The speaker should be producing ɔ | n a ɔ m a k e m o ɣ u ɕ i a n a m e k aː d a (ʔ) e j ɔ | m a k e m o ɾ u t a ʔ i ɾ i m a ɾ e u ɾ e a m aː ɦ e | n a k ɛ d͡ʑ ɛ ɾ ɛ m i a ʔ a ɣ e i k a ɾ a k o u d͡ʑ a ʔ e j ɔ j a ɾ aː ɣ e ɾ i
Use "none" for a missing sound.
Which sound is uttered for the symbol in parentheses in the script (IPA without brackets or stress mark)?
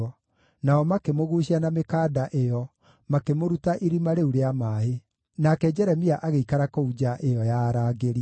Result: ʔ